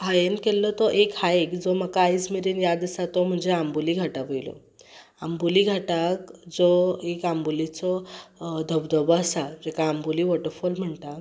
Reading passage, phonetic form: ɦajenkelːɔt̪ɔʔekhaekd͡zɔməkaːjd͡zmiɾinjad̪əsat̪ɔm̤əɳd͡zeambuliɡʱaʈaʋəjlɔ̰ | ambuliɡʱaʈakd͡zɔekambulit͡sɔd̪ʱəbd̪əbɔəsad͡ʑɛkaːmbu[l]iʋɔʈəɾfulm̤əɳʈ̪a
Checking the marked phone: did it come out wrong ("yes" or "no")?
no